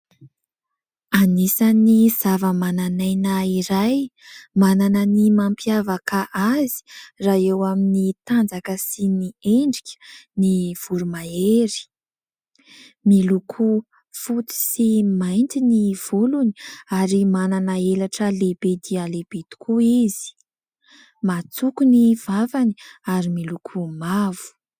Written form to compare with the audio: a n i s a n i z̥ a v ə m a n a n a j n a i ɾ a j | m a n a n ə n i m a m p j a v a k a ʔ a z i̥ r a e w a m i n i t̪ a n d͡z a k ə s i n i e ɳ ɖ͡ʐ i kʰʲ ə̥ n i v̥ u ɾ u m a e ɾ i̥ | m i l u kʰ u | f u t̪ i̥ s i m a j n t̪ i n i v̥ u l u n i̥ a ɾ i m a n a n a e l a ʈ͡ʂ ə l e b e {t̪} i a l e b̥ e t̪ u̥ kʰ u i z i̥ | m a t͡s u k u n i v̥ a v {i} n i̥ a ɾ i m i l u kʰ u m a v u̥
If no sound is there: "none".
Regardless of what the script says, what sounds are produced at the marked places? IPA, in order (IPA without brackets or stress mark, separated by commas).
d̪, a